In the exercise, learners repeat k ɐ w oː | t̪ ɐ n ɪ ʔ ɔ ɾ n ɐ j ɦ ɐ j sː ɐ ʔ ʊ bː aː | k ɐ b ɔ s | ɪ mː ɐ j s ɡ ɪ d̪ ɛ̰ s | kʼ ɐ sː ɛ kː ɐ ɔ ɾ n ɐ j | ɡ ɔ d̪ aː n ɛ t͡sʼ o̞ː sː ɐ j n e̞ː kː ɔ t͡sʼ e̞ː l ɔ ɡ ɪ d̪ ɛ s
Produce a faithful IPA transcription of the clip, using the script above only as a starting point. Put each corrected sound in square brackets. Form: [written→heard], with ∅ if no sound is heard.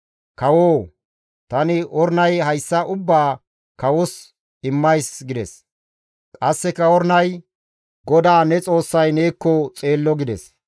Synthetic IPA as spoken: k ɐ w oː | t̪ ɐ n ɪ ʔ ɔ ɾ n ɐ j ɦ ɐ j sː ɐ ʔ ʊ bː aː | k ɐ [b→w] ɔ s | ɪ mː ɐ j s ɡ ɪ d̪ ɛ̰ s | kʼ ɐ sː ɛ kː ɐ ɔ ɾ n ɐ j | ɡ ɔ d̪ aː n ɛ t͡sʼ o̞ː sː ɐ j n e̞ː kː ɔ t͡sʼ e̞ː [l→lː] ɔ ɡ ɪ d̪ ɛ s

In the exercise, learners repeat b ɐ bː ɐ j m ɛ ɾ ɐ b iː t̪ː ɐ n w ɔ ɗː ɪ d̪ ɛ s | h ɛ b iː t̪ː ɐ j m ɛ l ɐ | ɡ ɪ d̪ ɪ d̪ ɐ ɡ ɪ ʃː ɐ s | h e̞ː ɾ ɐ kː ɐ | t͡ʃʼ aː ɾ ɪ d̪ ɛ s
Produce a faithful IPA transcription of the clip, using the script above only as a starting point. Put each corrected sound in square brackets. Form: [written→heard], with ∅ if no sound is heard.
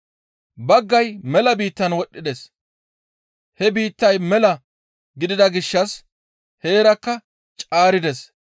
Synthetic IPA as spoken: b ɐ [bː→ɡː] ɐ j m ɛ [ɾ→l] ɐ b iː t̪ː ɐ n w ɔ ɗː ɪ d̪ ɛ s | h ɛ b iː t̪ː ɐ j m ɛ l ɐ | ɡ ɪ d̪ ɪ d̪ ɐ ɡ ɪ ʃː ɐ s | h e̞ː ɾ ɐ kː ɐ | t͡ʃʼ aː ɾ ɪ d̪ ɛ s

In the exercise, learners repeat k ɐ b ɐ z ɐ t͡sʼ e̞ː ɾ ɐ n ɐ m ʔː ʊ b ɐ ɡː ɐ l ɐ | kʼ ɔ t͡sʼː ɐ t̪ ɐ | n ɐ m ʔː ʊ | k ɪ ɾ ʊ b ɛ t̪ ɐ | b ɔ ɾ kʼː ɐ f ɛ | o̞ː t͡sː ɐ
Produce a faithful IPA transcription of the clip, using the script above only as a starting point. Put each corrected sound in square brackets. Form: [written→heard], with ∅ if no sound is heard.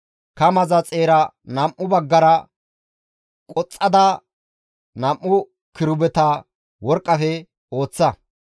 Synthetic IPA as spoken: k ɐ [b→m] ɐ z ɐ t͡sʼ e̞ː ɾ ɐ n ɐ m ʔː ʊ b ɐ ɡː ɐ [l→ɾ] ɐ | kʼ ɔ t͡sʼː ɐ [t̪→d̪] ɐ | n ɐ m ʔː ʊ | k ɪ ɾ ʊ b ɛ t̪ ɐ | [b→w] ɔ ɾ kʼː ɐ f ɛ | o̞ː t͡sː ɐ

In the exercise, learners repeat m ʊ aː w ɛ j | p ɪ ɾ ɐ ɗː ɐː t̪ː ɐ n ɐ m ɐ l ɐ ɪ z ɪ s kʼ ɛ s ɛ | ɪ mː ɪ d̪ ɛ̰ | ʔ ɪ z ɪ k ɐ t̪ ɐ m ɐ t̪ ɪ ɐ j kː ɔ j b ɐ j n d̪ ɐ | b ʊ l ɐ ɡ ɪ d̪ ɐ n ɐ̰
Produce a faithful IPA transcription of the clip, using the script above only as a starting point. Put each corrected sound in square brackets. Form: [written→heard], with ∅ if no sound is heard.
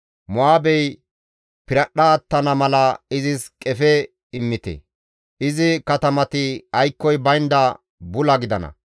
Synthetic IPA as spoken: m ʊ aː [w→b] ɛ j | p ɪ ɾ ɐ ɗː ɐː t̪ː ɐ n ɐ m ɐ l ɐ ɪ z ɪ s kʼ ɛ [s→f] ɛ | ɪ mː ɪ [d̪→t̪] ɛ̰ | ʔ ɪ z ɪ k ɐ t̪ ɐ m ɐ t̪ ɪ ɐ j kː ɔ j b ɐ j n d̪ ɐ | b ʊ l ɐ ɡ ɪ d̪ ɐ n ɐ̰

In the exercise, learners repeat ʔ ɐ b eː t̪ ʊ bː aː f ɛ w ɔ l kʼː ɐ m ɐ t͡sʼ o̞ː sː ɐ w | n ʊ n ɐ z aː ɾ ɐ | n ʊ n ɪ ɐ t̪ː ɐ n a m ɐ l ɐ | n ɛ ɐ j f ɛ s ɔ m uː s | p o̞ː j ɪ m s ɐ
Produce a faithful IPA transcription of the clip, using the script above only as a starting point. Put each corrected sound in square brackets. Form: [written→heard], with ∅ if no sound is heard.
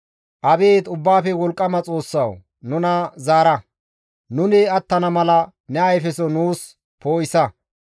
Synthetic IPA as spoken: ʔ ɐ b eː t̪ ʊ bː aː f ɛ w ɔ l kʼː ɐ m ɐ t͡sʼ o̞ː sː ɐ w | n ʊ n ɐ z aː ɾ ɐ | n ʊ n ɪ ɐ t̪ː ɐ n [a→ɐ] m ɐ l ɐ | n ɛ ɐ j f ɛ s ɔ [m→n] uː s | p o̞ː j ɪ [m→∅] s ɐ

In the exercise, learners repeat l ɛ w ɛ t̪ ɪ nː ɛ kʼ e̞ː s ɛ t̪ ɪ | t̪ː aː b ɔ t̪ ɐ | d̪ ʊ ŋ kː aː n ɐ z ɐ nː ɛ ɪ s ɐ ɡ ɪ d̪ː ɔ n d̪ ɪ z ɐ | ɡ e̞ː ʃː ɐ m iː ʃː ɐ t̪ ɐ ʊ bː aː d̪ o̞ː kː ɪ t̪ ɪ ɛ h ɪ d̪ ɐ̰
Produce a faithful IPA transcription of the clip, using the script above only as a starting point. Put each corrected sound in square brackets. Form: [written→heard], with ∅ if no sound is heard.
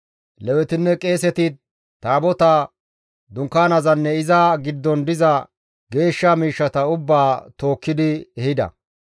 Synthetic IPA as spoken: l ɛ w ɛ t̪ ɪ nː ɛ kʼ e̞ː s ɛ t̪ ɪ | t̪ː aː b ɔ t̪ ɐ | d̪ ʊ ŋ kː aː n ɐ z ɐ nː ɛ ɪ [s→z] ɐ ɡ ɪ d̪ː ɔ n d̪ ɪ z ɐ | ɡ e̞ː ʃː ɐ m iː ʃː ɐ t̪ ɐ ʊ bː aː [d̪→t̪] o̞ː kː ɪ [t̪→d̪] ɪ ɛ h ɪ d̪ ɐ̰

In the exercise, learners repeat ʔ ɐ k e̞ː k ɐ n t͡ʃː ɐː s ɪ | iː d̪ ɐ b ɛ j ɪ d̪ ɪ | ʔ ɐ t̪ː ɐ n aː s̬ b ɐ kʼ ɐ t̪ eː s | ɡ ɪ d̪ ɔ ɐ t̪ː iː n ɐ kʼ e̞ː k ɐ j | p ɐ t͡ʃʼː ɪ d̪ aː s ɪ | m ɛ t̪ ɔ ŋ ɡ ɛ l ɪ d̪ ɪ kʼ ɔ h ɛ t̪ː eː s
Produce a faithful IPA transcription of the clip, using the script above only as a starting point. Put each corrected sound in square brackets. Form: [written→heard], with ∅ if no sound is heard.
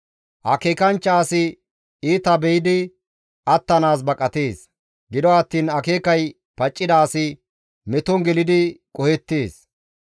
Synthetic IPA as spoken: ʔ ɐ k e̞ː k ɐ n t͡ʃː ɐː s ɪ | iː [d̪→t̪] ɐ b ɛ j ɪ d̪ ɪ | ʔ ɐ t̪ː ɐ n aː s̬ b ɐ kʼ ɐ t̪ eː s | ɡ ɪ d̪ ɔ ɐ t̪ː iː n ɐ [kʼ→k] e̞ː k ɐ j | p ɐ t͡ʃʼː ɪ d̪ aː s ɪ | m ɛ t̪ ɔ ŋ ɡ ɛ l ɪ d̪ ɪ kʼ ɔ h ɛ t̪ː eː s

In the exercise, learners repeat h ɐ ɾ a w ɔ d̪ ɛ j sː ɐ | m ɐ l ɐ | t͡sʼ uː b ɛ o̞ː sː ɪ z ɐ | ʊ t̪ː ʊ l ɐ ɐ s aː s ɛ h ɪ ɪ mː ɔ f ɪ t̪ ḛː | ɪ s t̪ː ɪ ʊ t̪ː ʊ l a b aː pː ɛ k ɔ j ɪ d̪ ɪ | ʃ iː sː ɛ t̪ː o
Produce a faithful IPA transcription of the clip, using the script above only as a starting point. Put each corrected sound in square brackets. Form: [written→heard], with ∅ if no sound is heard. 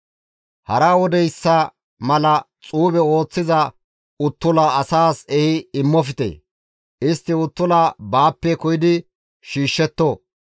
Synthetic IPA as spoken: h ɐ ɾ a w ɔ d̪ ɛ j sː ɐ | m ɐ l ɐ | t͡sʼ uː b ɛ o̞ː [sː→t͡sː] ɪ z ɐ | ʊ t̪ː ʊ l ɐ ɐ s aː s ɛ h ɪ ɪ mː ɔ f ɪ t̪ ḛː | ɪ s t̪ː ɪ ʊ t̪ː ʊ l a b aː pː ɛ k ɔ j ɪ d̪ ɪ | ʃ iː [sː→ʃː] ɛ t̪ː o

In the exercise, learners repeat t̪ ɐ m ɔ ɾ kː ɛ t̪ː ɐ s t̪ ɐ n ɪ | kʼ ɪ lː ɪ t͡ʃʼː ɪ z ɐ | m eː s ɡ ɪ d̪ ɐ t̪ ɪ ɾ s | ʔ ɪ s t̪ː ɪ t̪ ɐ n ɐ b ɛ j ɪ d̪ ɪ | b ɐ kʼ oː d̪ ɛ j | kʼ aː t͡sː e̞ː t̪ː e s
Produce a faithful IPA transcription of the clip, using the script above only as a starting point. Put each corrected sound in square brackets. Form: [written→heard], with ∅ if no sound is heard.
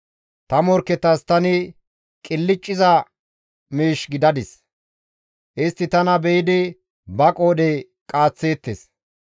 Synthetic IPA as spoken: t̪ ɐ m ɔ ɾ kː ɛ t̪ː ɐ s t̪ ɐ n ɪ | kʼ ɪ lː ɪ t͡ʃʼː ɪ z ɐ | m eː [s→ʃ] ɡ ɪ d̪ ɐ [t̪→d̪] ɪ [ɾ→∅] s | ʔ ɪ s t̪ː ɪ t̪ ɐ n ɐ b ɛ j ɪ d̪ ɪ | b ɐ kʼ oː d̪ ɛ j | kʼ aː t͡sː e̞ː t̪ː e s

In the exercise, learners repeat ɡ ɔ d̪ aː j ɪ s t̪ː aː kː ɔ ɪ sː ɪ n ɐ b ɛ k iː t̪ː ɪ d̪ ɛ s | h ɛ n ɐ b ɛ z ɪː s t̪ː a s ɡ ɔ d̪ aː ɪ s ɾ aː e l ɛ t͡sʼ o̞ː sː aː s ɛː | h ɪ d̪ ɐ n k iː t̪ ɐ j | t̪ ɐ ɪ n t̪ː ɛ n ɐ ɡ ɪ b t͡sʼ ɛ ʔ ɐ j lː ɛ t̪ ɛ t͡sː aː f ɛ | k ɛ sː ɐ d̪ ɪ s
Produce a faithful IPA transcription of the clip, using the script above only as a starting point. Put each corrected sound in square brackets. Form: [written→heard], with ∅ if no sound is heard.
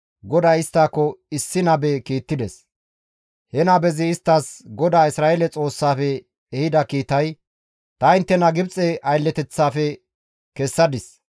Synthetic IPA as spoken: ɡ ɔ d̪ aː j ɪ s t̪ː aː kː ɔ ɪ sː ɪ n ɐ b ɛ k iː t̪ː ɪ d̪ ɛ s | h ɛ n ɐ b ɛ z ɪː s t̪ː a s ɡ ɔ d̪ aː ɪ s ɾ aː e l ɛ t͡sʼ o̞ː sː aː [s→f] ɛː | h ɪ d̪ ɐ [n→∅] k iː t̪ ɐ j | t̪ ɐ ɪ n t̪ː ɛ n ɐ ɡ ɪ b t͡sʼ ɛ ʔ ɐ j lː ɛ t̪ ɛ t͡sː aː f ɛ | k ɛ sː ɐ d̪ ɪ s

